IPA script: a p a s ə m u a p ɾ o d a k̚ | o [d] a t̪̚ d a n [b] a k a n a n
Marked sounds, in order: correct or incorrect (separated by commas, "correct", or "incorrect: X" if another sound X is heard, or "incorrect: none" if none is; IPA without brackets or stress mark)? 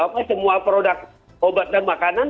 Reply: incorrect: b, incorrect: m